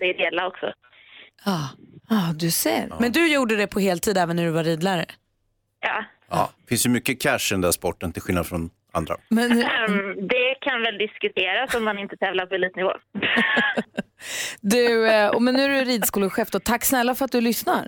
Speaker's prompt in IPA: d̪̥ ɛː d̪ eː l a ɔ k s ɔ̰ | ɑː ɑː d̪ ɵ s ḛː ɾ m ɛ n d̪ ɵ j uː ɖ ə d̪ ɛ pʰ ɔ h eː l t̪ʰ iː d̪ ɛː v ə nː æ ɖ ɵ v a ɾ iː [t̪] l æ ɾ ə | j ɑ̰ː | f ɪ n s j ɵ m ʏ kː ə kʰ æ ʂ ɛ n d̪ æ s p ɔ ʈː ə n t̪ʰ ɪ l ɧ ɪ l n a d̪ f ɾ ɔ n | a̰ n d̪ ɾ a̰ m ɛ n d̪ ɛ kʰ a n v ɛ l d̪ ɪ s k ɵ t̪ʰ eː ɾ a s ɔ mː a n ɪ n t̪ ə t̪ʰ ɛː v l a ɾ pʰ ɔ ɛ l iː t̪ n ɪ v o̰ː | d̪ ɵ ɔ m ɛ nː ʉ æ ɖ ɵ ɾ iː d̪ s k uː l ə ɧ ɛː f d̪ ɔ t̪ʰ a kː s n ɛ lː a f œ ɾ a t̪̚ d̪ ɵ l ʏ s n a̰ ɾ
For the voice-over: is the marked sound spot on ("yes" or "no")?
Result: no